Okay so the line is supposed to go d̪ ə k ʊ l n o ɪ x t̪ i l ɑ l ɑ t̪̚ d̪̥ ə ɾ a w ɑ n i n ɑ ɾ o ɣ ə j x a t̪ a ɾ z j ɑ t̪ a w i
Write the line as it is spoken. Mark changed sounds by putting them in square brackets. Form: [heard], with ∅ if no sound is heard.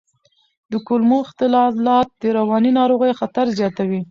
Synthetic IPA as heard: d̪ ə k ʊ l [m] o ɪ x t̪ [ɪ] l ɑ l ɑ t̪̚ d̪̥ ə ɾ a w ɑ n i n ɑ ɾ o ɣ ə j x a t̪ a ɾ z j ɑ t̪ a w i